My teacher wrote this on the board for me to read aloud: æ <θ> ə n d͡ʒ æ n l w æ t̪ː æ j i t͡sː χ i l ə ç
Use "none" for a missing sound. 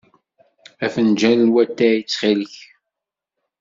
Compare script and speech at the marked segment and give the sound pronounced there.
f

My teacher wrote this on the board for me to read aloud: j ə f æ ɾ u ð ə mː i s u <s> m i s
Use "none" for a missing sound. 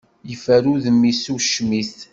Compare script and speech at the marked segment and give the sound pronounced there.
ʃ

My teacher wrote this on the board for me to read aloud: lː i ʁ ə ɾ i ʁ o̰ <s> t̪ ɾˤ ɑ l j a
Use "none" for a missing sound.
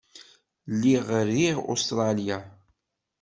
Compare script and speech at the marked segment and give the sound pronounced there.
s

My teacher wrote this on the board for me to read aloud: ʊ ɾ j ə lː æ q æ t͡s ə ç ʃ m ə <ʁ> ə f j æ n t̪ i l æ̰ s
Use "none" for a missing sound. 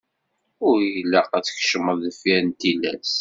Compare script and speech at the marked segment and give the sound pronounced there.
ð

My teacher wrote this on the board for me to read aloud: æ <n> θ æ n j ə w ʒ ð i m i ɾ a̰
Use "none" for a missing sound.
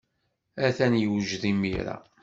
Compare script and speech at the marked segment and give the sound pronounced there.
none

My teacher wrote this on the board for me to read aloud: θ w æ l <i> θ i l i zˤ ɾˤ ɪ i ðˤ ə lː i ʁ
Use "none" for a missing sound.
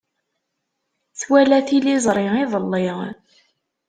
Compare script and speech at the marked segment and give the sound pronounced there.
æ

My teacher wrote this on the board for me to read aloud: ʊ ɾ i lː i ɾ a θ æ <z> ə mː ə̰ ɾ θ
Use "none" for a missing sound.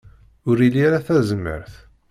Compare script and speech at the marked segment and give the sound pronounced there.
z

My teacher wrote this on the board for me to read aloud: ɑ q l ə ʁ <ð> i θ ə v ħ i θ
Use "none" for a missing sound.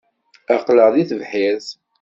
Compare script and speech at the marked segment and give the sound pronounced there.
ð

